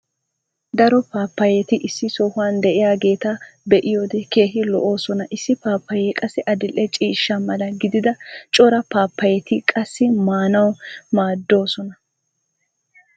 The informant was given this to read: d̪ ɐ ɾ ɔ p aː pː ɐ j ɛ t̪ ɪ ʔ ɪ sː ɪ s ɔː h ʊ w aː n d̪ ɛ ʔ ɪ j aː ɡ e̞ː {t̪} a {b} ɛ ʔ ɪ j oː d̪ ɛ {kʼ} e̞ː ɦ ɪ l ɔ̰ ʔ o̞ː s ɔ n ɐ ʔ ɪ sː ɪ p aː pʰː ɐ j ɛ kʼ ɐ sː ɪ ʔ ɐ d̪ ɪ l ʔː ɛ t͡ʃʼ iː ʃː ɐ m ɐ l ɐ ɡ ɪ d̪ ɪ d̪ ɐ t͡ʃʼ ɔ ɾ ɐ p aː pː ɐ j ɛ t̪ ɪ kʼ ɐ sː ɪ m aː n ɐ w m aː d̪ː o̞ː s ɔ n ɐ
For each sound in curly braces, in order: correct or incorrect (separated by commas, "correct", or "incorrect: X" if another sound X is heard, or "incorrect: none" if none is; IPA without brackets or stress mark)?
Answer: correct, correct, incorrect: k